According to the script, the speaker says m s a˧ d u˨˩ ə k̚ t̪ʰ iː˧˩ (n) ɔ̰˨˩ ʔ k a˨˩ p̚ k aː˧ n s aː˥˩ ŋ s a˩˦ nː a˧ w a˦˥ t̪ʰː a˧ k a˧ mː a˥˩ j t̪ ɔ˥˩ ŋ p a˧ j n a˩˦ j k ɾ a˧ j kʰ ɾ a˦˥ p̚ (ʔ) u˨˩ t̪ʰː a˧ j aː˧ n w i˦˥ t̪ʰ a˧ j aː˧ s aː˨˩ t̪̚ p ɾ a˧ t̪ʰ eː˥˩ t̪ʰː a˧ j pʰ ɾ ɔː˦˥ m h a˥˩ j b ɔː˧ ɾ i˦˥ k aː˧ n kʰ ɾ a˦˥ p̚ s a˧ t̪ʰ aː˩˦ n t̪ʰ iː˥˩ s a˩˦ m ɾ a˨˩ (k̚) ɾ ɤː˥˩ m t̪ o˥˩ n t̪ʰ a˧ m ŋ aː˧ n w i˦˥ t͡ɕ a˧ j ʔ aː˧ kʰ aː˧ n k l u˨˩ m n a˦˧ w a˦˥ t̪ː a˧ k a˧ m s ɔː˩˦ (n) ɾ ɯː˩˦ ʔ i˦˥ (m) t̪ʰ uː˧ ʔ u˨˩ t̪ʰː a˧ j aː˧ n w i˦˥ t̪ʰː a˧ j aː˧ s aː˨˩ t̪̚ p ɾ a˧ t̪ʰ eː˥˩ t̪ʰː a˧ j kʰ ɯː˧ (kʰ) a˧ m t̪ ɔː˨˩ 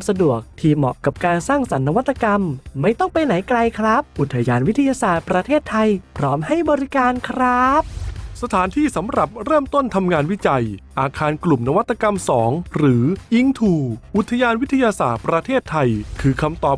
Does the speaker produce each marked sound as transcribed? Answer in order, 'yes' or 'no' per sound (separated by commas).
no, yes, no, no, no, yes